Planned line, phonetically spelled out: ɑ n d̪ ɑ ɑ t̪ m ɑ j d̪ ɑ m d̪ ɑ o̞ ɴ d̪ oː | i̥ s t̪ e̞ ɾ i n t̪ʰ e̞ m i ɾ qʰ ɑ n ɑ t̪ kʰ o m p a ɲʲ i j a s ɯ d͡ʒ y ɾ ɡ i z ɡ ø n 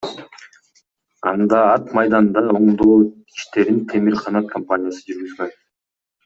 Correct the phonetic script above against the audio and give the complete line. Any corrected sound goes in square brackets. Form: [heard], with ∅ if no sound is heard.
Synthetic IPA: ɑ n d̪ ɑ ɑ t̪ m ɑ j d̪ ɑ [n] d̪ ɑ o̞ ɴ d̪ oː | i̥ [ʃ] t̪ e̞ ɾ i n t̪ʰ e̞ m i ɾ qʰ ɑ n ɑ t̪ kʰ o m p a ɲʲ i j a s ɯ d͡ʒ y ɾ ɡ [y] z ɡ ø n